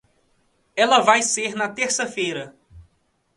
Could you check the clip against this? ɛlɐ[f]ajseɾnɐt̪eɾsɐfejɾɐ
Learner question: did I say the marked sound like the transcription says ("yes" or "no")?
no